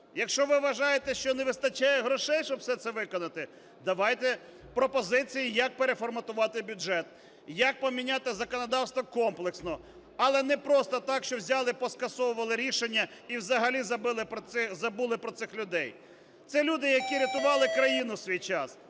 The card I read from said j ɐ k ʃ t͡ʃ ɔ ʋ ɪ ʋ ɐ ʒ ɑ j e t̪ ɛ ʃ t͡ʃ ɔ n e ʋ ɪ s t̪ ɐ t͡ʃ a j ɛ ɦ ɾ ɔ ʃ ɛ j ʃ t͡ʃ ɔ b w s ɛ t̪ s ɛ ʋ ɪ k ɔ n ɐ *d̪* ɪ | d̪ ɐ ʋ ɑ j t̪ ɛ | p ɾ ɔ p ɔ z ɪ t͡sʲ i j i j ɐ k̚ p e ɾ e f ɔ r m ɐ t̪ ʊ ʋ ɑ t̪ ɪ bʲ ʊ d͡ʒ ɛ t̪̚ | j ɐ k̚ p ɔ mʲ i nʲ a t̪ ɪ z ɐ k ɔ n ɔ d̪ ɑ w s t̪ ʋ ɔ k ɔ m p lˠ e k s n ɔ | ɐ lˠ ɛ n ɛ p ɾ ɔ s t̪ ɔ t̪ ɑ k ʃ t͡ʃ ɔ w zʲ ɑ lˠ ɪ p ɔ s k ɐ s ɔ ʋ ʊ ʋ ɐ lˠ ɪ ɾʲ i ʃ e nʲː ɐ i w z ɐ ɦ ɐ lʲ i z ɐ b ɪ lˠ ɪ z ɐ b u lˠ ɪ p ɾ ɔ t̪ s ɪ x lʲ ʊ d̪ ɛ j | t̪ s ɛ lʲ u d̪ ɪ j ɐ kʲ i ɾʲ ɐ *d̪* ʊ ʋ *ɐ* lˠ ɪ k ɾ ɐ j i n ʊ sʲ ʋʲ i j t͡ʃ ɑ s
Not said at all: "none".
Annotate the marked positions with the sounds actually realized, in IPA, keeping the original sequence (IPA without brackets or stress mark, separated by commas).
t̪, t̪, ɑ